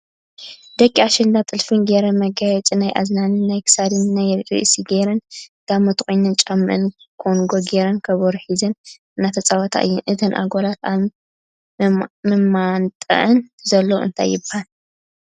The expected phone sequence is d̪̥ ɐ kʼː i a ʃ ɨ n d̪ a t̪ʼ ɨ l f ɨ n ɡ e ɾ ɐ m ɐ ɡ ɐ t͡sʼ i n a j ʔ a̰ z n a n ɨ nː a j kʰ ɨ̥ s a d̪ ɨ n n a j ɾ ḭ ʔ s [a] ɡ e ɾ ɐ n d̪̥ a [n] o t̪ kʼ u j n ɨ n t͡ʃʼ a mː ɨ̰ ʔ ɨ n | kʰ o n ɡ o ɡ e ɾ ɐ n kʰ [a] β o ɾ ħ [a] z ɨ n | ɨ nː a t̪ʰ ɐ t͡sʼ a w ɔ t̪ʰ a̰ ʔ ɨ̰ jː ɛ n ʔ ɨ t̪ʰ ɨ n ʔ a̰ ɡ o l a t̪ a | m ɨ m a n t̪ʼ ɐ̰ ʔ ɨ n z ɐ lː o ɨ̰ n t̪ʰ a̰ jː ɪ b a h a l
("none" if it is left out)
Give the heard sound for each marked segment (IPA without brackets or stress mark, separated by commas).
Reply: i, m, ɐ, i